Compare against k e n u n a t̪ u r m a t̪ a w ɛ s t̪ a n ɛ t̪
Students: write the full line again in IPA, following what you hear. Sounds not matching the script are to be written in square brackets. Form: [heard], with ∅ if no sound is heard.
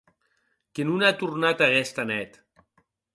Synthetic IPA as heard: k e n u n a t̪ u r [n] a t̪ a [ɣ] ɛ s t̪ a n ɛ t̪